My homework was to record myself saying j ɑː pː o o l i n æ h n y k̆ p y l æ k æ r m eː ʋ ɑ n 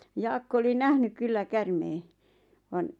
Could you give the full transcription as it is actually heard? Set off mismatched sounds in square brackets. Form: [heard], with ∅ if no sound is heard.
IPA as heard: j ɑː [kː] o o l i n æ h n y k̆ [k] y [lː] æ k æ r m eː ʋ ɑ n